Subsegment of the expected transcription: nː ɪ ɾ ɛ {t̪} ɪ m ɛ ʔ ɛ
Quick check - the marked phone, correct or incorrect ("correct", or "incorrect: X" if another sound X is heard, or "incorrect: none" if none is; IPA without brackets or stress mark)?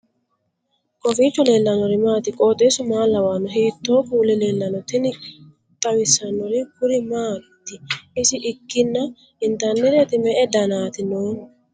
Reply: correct